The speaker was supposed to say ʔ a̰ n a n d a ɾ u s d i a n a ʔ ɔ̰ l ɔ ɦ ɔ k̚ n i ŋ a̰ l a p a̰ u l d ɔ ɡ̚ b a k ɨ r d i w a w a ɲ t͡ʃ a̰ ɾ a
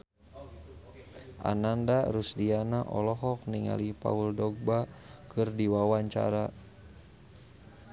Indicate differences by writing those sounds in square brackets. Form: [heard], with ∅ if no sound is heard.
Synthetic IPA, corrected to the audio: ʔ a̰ n a n d a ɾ u s d i a n a ʔ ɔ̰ l ɔ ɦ ɔ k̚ n i ŋ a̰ l [i] p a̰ u l d ɔ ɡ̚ b a k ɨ r d i w a w a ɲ t͡ʃ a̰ ɾ a